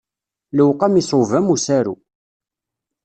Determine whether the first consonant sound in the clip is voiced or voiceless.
voiced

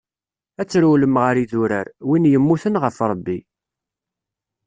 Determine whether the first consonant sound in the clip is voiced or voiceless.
voiceless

